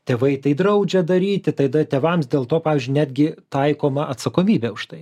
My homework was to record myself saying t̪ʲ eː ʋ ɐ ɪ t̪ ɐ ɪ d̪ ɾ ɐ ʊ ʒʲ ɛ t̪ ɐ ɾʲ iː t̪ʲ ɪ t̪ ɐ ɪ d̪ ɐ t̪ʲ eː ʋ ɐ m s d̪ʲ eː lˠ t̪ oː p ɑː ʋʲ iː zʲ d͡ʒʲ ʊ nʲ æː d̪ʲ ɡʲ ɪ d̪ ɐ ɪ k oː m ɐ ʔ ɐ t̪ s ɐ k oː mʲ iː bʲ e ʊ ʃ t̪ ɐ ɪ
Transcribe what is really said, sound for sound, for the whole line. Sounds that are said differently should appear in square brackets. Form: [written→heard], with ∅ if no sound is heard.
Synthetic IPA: t̪ʲ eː ʋ ɐ ɪ t̪ ɐ ɪ d̪ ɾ ɐ ʊ [ʒʲ→d͡ʒʲ] ɛ [t̪→d̪] ɐ ɾʲ iː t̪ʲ ɪ t̪ ɐ ɪ d̪ ɐ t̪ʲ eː ʋ ɐ m s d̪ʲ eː lˠ t̪ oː p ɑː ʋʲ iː zʲ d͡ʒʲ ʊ nʲ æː d̪ʲ ɡʲ ɪ [d̪→t̪] ɐ ɪ k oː m ɐ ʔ ɐ t̪ s ɐ k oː mʲ iː bʲ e ʊ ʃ t̪ ɐ ɪ